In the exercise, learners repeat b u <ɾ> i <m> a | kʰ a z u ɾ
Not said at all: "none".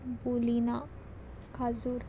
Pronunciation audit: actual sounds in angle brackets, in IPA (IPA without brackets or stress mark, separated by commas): l, n